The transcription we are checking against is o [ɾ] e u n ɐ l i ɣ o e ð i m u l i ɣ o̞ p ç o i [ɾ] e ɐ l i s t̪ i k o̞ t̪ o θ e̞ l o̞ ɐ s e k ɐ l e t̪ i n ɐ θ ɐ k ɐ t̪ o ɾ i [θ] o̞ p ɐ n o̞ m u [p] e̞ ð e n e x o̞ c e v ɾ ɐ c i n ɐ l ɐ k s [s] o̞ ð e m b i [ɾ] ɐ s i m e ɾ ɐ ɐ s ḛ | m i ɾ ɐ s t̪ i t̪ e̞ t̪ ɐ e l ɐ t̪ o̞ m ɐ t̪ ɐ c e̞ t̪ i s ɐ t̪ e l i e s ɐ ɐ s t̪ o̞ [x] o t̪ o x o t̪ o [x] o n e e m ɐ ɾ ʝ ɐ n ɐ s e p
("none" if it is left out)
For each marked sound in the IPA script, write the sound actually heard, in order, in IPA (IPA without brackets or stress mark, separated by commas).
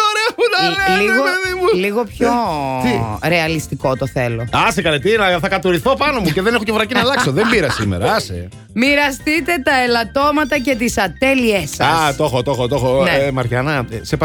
ɾ, ɾ, θ, c, s, ɾ, x, x